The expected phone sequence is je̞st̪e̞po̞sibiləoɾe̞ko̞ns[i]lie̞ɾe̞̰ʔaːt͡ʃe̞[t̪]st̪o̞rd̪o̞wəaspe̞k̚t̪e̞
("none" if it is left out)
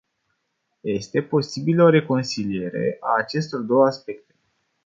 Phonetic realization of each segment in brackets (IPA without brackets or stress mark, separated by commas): i, none